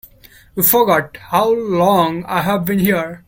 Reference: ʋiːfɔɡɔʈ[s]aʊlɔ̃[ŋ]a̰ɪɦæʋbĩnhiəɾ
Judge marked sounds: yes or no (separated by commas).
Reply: no, yes